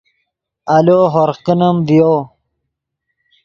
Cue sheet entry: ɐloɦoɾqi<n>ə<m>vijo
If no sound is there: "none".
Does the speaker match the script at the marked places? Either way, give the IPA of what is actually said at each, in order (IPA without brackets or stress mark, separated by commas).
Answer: n, m